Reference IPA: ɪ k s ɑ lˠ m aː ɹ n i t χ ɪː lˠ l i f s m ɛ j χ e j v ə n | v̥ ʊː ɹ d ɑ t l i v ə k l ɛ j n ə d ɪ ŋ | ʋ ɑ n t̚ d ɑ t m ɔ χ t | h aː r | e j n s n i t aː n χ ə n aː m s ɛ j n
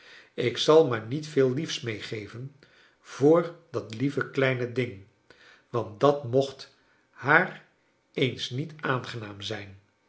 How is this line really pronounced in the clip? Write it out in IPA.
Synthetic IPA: ɪ k s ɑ lˠ m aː ɹ n i t f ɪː lˠ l i f s m e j χ e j v ə n | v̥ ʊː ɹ d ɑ t l i v ə k l ɛ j n ə d ɪ ŋ | ʋ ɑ n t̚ d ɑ t m ɔ χ t | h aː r | e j n s n i t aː n χ ə n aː m z ɛ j n